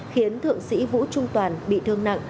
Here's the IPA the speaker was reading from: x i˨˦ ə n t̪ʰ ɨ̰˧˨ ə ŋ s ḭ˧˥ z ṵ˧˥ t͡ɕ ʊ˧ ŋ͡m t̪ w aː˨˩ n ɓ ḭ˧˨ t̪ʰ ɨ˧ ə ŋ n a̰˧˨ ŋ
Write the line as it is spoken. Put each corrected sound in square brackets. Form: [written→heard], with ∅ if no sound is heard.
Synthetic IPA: x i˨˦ ə n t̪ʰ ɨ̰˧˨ ə ŋ s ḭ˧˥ [z→v] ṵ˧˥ t͡ɕ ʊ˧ ŋ͡m t̪ w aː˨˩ n ɓ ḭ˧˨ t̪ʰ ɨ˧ ə ŋ n a̰˧˨ ŋ